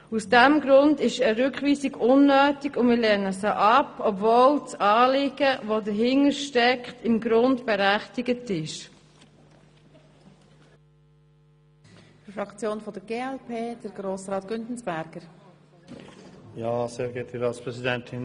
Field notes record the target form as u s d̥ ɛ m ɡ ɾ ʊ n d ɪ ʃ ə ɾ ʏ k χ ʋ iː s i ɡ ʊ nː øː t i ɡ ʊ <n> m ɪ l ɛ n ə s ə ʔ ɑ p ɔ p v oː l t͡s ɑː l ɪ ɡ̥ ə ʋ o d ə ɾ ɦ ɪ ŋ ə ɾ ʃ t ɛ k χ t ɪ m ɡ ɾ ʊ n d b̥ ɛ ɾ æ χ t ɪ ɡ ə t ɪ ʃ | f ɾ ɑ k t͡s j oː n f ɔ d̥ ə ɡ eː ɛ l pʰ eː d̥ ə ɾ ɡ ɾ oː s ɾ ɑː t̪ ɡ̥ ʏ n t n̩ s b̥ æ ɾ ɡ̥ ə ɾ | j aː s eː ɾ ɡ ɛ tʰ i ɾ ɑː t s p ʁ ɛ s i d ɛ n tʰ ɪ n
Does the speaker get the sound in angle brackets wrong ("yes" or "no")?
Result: no